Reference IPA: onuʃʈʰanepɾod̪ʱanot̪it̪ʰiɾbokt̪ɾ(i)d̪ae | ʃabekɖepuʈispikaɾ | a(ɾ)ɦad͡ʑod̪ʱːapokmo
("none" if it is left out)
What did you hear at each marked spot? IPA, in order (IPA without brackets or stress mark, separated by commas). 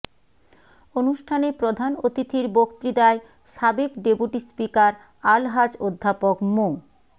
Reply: i, l